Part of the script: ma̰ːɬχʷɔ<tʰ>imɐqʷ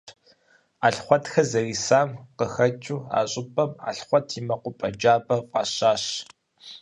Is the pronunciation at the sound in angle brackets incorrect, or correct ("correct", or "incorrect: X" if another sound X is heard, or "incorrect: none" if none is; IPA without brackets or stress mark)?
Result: correct